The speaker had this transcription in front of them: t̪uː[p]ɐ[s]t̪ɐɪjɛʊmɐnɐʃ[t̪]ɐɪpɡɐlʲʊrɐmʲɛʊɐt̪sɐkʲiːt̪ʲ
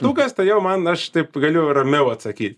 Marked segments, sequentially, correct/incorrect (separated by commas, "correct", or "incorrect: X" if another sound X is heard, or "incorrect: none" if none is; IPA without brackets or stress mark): incorrect: k, correct, correct